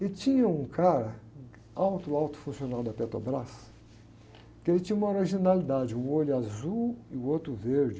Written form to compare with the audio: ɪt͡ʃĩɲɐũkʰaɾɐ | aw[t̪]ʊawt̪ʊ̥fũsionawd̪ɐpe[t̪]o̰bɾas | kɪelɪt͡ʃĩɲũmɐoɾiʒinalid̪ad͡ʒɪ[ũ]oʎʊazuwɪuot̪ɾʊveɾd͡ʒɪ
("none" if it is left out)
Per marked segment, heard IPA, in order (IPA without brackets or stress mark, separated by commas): t̪, t̪, ũ